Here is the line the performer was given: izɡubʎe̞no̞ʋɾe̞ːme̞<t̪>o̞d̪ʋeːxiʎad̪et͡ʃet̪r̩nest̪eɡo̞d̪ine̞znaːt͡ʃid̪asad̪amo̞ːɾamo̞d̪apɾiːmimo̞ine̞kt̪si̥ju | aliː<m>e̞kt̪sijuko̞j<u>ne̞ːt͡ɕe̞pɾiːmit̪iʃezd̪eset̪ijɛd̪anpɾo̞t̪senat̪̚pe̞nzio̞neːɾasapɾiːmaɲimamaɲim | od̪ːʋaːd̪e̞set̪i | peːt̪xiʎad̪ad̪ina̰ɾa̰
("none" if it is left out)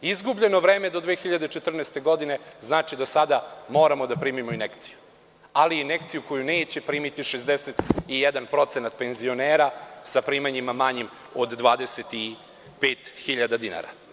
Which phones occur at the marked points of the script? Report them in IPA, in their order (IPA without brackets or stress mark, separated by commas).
d̪, n, u